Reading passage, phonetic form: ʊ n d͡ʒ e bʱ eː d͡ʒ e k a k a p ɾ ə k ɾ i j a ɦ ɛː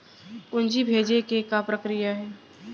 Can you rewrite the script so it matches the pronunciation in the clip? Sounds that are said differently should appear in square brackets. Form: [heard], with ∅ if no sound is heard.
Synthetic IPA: ʊ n d͡ʒ [i] bʱ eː d͡ʒ e k [e] k a p ɾ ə k ɾ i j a ɦ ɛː